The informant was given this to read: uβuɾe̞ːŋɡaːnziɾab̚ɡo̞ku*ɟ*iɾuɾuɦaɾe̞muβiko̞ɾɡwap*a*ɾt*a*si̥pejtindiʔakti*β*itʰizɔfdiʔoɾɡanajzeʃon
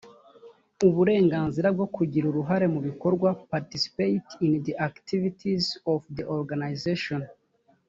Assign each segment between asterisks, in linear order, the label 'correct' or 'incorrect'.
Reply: correct, correct, incorrect: i, incorrect: v

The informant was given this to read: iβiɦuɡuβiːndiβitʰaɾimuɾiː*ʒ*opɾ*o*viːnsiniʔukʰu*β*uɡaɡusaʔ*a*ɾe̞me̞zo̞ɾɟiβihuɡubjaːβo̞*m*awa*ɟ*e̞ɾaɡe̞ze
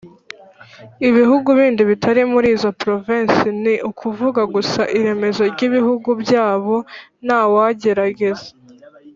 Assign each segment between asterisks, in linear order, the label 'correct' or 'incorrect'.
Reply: incorrect: z, correct, incorrect: v, incorrect: i, incorrect: n, correct

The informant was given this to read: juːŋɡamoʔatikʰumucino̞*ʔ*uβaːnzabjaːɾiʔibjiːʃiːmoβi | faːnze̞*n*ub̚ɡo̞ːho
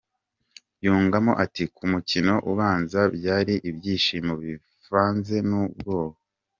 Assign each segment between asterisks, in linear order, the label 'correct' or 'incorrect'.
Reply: correct, correct

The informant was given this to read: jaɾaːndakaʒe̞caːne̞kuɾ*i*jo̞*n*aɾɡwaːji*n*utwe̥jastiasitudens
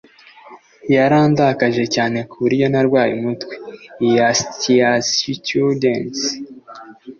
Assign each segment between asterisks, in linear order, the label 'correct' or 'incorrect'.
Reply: correct, correct, incorrect: m

